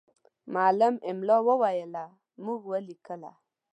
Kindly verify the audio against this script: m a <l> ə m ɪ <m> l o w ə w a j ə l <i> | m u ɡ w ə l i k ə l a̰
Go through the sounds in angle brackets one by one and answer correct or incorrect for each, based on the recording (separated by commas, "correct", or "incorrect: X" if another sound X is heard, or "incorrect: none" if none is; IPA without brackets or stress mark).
correct, correct, incorrect: a